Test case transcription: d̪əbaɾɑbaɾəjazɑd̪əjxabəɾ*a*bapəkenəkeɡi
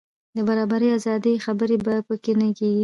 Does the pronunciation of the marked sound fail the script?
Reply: yes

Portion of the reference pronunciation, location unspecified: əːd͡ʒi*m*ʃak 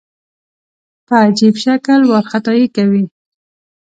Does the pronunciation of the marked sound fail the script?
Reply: yes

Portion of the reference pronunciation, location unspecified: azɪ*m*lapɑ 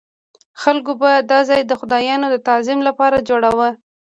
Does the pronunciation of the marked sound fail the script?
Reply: no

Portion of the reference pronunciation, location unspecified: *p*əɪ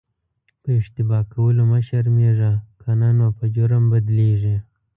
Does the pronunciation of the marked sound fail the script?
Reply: no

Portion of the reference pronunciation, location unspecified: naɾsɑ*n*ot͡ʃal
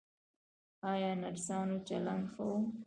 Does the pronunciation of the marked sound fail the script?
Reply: no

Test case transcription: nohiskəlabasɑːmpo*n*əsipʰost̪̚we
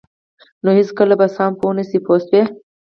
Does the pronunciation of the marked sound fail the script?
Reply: no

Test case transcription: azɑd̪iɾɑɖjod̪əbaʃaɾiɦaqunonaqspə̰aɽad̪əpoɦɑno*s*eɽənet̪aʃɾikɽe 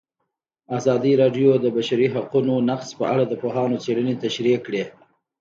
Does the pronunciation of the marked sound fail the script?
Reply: yes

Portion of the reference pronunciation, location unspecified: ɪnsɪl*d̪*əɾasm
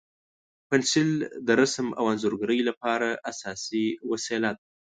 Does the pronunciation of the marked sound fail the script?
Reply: no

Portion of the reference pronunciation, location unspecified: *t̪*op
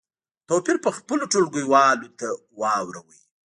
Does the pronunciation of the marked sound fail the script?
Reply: no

